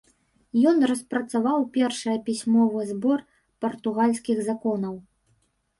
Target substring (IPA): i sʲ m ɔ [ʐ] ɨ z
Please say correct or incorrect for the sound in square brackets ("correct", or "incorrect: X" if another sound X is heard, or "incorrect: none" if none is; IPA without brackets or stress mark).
incorrect: v